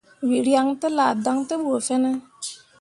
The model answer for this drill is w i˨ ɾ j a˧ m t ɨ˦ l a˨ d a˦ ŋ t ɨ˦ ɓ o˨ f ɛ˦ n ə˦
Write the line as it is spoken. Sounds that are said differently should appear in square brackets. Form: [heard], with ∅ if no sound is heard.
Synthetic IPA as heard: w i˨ ɾ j a˧ [ŋ] t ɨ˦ l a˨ d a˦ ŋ t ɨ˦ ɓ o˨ f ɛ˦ n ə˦